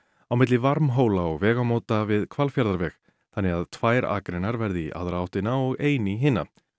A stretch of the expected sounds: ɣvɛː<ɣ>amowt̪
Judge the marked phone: correct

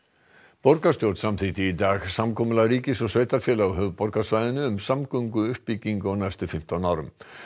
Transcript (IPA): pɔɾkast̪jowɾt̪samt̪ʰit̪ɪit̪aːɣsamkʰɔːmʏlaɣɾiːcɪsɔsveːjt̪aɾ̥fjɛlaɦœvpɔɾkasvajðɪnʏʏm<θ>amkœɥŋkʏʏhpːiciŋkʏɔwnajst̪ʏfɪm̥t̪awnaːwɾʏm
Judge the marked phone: incorrect: s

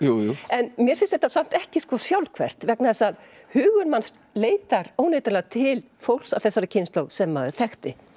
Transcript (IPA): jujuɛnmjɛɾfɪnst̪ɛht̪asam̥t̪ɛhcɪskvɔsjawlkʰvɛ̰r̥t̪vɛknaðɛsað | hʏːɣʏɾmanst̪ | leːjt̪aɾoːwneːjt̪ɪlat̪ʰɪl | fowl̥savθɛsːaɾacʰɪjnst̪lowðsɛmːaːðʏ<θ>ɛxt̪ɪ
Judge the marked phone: correct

